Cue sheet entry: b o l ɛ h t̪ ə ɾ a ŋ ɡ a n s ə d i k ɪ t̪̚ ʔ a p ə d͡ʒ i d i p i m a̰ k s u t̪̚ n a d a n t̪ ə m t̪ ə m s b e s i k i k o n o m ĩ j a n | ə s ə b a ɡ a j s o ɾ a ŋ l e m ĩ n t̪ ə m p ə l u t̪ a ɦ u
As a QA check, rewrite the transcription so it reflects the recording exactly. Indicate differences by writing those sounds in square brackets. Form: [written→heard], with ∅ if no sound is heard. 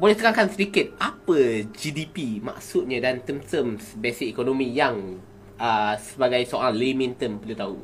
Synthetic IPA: b o l ɛ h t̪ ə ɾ a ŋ [ɡ→k] a n s ə d i k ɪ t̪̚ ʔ a p ə d͡ʒ i d i p i m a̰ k s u t̪̚ [n→ɲ] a d a n t̪ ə m t̪ ə m s b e s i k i k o n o m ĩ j a [n→ŋ] | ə s ə b a ɡ a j s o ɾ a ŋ l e m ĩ n t̪ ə m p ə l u t̪ a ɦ u